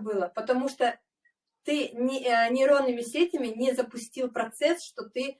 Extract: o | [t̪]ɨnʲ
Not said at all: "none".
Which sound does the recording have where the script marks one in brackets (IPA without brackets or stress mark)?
t̪